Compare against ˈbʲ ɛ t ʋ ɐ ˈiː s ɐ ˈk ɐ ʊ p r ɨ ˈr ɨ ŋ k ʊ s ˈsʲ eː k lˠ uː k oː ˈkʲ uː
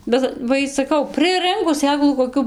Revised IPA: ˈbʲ ɛ t ʋ ɐ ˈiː s ɐ ˈk ɐ ʊ p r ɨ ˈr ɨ ŋ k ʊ s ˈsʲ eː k lˠ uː k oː ˈkʲ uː

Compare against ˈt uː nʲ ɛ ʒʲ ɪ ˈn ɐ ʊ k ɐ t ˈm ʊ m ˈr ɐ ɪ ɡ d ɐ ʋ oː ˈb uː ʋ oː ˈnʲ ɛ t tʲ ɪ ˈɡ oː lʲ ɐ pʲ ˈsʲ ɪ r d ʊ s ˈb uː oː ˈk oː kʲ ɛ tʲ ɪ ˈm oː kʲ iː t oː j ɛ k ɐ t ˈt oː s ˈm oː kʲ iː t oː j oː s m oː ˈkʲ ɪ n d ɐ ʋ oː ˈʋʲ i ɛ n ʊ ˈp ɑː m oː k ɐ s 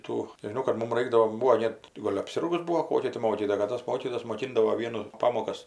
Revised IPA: ˈt uː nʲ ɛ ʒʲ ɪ ˈn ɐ ʊ k ɐ t ˈm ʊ m ˈr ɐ ɪ ɡ d ɐ ʋ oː ˈb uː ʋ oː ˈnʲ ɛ t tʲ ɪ ˈɡ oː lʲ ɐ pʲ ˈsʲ ɪ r ɡ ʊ s ˈb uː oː ˈk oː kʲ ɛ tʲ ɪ ˈm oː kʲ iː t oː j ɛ k ɐ t ˈt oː s ˈm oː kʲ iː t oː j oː s m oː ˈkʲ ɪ n d ɐ ʋ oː ˈʋʲ i ɛ n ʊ ˈp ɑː m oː k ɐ s

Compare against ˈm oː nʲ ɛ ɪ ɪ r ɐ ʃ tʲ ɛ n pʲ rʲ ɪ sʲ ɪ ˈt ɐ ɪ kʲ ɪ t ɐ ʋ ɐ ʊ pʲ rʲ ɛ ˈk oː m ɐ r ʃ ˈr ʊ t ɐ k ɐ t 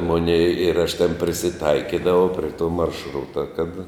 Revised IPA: ˈm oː nʲ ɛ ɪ ɪ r ɐ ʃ tʲ ɛ n pʲ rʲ ɪ sʲ ɪ ˈt ɐ ɪ kʲ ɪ d ɐ ʋ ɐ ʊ pʲ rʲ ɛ ˈt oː m ɐ r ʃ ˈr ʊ t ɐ k ɐ t

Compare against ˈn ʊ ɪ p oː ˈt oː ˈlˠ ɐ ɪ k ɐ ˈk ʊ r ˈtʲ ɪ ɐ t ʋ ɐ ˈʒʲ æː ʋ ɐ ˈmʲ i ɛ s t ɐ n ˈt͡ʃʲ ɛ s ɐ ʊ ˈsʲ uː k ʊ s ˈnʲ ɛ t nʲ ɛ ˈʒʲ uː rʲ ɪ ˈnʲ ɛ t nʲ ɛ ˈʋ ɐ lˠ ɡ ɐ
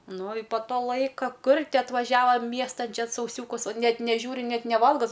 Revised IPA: ˈn ʊ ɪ p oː ˈt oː ˈlˠ ɐ ɪ k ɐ ˈk ʊ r ˈtʲ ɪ ɐ t ʋ ɐ ˈʒʲ æː ʋ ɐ ˈmʲ i ɛ s t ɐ n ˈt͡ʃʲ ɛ s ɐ ʊ ˈsʲ uː k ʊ s ˈnʲ ɛ t nʲ ɛ ˈʒʲ uː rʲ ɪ ˈnʲ ɛ t nʲ ɛ ˈʋ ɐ lˠ ɡ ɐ

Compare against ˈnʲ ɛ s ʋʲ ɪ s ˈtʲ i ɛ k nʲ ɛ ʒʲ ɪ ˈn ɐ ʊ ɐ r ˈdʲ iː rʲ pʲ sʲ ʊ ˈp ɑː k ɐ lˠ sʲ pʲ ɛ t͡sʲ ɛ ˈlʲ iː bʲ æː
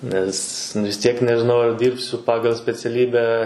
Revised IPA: ˈnʲ ɛ s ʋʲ ɪ s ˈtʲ i ɛ k nʲ ɛ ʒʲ ɪ ˈn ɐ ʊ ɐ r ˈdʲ iː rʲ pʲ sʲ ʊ ˈp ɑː ɡ ɐ lˠ sʲ pʲ ɛ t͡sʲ ɛ ˈlʲ iː bʲ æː

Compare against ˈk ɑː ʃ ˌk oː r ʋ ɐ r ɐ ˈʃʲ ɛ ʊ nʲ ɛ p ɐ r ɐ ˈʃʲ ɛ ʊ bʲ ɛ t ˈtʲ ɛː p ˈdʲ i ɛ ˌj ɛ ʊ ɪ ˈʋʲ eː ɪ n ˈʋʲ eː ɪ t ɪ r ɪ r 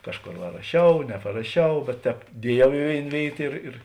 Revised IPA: ˈk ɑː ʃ ˌk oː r ʋ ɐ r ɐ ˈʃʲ ɛ ʊ nʲ ɛ p ɐ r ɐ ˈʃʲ ɛ ʊ bʲ ɛ t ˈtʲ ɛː p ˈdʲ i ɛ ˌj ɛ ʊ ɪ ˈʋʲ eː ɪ n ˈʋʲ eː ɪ t ɪ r ɪ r

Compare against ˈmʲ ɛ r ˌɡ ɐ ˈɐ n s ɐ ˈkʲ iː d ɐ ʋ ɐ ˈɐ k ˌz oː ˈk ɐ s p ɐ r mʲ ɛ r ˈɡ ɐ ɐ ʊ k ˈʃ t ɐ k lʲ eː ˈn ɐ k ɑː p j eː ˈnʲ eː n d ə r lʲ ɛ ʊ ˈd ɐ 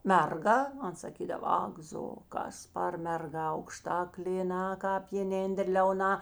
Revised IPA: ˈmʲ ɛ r ˌɡ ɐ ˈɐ n s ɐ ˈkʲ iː d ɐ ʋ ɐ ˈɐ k ˌz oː ˈk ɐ s p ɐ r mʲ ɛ r ˈɡ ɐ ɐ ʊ k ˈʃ t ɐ k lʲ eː ˈn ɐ k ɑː p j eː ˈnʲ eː n d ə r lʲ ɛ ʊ ˈn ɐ

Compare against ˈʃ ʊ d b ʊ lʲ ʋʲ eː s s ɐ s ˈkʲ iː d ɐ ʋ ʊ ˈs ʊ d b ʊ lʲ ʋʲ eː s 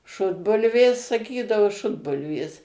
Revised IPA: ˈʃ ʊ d b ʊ lʲ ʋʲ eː s s ɐ ˈkʲ iː d ɐ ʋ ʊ ˈʃ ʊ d b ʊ lʲ ʋʲ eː s

